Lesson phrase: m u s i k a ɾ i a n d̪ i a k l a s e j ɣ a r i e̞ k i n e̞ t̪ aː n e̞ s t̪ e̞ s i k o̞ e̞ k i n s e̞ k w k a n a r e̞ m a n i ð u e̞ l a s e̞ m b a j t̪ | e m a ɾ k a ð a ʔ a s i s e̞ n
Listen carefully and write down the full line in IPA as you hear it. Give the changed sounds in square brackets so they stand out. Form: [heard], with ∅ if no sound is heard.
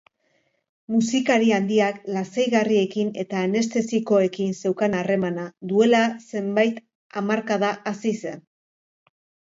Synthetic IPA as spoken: m u s i k a ɾ i a n d̪ i a k l a s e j ɣ a r i e̞ k i n e̞ t̪ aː n e̞ s t̪ e̞ s i k o̞ e̞ k i n s e̞ [∅] w k a n a r e̞ m a n [a] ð u e̞ l a s e̞ m b a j t̪ | [a] m a ɾ k a ð a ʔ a s i s e̞ n